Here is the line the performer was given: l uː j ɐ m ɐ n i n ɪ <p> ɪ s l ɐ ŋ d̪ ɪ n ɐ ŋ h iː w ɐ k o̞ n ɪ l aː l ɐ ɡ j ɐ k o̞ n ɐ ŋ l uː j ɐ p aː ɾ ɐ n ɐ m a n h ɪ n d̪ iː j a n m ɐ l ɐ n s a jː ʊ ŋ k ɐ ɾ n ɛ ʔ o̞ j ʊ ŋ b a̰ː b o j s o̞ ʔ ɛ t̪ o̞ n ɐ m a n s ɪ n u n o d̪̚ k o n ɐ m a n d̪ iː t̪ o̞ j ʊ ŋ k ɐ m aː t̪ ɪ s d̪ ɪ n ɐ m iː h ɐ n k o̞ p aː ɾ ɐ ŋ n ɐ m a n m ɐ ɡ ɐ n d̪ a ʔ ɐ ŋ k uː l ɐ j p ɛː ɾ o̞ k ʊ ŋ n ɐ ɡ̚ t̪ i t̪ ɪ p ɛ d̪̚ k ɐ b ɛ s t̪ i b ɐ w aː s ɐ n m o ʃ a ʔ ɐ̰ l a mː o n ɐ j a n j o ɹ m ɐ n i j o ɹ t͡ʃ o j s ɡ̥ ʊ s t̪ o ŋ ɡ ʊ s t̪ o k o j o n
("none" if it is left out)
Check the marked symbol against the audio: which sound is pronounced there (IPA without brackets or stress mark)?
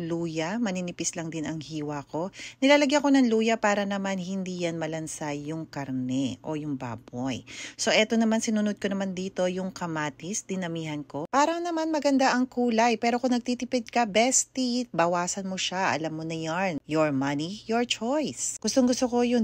p